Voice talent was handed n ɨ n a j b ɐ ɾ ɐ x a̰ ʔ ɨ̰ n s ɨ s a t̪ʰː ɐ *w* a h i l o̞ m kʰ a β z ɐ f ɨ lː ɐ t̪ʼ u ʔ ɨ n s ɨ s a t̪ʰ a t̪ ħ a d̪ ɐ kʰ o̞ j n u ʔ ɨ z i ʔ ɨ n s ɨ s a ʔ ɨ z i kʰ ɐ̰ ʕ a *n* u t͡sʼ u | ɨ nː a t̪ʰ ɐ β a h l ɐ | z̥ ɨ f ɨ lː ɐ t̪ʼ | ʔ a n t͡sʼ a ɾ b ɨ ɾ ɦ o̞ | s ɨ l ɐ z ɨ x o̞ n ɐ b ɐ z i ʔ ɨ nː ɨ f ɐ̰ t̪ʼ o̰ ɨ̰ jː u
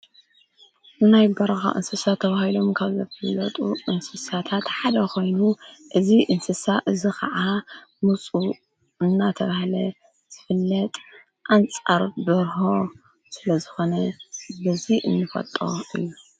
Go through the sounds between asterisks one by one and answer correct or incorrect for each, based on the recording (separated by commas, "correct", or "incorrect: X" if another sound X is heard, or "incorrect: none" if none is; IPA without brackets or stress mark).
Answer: incorrect: β, incorrect: m